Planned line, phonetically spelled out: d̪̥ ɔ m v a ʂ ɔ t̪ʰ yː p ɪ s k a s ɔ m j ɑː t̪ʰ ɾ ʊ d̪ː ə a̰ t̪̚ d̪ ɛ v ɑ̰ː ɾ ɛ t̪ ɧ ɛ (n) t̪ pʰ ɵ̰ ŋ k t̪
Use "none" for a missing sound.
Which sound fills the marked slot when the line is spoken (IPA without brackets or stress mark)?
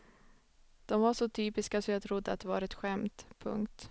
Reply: m